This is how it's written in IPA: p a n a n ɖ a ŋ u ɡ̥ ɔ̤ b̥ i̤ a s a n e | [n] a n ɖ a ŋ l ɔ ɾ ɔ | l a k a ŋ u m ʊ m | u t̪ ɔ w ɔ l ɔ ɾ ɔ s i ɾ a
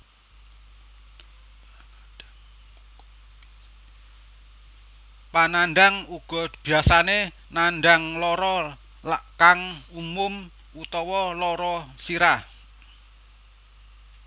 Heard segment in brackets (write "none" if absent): n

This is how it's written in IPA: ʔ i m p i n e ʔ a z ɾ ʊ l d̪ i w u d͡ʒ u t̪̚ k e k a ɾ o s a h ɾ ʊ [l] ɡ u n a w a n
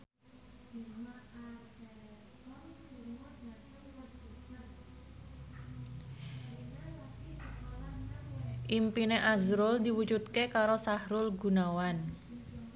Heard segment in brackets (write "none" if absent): l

